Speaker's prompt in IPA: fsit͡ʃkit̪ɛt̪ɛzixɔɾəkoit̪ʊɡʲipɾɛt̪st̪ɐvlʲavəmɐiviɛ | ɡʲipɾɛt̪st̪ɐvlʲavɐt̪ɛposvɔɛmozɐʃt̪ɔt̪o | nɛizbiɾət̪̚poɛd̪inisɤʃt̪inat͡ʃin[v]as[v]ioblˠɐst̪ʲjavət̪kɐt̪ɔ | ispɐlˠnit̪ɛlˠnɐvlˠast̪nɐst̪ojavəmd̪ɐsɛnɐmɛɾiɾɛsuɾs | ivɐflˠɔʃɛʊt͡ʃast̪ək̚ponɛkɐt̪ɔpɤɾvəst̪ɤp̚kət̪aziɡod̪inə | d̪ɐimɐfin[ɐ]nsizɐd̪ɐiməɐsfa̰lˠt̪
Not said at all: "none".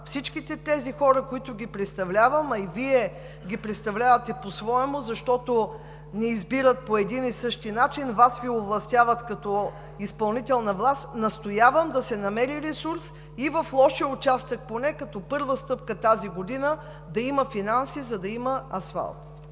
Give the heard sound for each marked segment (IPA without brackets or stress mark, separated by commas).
v, v, a